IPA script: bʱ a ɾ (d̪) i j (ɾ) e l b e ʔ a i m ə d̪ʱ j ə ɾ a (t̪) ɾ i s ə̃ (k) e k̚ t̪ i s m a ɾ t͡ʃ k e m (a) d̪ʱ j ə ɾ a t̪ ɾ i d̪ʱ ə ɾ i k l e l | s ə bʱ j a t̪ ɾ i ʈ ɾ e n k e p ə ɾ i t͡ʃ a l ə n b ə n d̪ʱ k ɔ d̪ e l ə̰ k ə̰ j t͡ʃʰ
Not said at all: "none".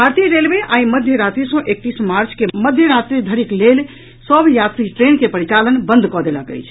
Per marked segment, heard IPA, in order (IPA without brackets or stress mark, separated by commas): t̪, ɾ, t̪, ʔ, ə